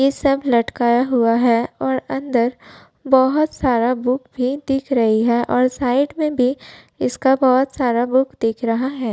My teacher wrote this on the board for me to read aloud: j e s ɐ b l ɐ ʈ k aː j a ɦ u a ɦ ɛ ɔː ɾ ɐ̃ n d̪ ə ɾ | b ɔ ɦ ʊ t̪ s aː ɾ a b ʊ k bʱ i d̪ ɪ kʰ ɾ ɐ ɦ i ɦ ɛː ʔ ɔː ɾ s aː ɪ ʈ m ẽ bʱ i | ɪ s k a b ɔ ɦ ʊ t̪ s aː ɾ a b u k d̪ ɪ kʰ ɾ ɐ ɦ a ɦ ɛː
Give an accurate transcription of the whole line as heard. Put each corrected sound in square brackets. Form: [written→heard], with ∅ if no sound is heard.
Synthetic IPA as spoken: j e s ɐ b l ɐ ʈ k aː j a ɦ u a ɦ ɛ ɔː ɾ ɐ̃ n d̪ ə ɾ | b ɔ ɦ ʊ t̪ s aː ɾ a b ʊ k bʱ i d̪ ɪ kʰ ɾ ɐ ɦ i ɦ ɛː ʔ ɔː ɾ s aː ɪ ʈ m ẽ bʱ i | ɪ s k a b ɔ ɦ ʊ t̪ s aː ɾ a b [u→ʊ] k d̪ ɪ kʰ ɾ ɐ ɦ a ɦ ɛː